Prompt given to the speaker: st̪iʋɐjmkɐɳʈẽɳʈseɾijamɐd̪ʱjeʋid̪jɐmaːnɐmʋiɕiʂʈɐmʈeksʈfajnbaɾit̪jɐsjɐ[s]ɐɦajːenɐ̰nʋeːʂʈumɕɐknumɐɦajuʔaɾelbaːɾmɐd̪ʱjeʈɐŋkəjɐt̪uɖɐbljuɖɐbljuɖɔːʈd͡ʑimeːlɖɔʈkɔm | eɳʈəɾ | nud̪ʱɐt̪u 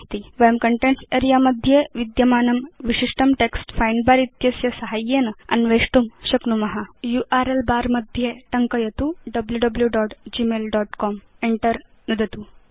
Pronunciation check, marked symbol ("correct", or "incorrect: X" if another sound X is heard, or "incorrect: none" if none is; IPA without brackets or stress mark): correct